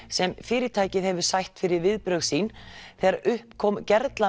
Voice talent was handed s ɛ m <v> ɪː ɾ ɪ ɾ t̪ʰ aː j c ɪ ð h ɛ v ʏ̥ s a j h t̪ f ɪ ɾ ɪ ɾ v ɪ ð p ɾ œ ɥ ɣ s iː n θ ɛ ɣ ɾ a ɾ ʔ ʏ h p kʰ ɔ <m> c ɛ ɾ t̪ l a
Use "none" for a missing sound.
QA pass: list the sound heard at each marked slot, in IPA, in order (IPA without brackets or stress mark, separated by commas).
f, m